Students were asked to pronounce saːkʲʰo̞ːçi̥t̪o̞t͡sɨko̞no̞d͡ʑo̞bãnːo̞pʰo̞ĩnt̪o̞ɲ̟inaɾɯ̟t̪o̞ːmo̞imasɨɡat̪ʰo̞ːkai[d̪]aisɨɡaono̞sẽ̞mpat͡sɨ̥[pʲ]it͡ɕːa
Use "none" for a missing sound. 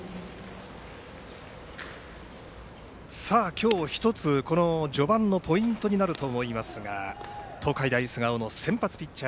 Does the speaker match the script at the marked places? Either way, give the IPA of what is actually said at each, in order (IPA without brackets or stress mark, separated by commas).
d̪, pʲ